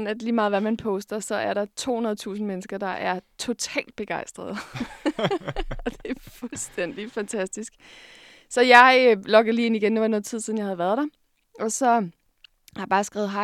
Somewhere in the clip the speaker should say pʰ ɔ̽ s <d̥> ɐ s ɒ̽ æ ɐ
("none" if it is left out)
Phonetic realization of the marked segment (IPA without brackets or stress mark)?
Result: d̥